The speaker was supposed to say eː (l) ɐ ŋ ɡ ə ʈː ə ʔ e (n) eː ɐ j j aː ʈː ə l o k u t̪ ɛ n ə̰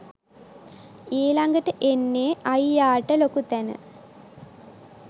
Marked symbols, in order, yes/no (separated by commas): yes, no